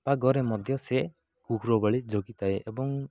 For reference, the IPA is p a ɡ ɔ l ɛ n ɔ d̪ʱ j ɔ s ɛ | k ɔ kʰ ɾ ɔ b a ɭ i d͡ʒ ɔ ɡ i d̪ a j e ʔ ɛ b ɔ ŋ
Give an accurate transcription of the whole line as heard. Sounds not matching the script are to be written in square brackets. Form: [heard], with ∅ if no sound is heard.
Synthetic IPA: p a ɡ ɔ [ɾ] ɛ [m] ɔ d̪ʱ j ɔ s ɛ | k [u] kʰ ɾ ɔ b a ɭ i d͡ʒ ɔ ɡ i [t̪] a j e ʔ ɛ b ɔ ŋ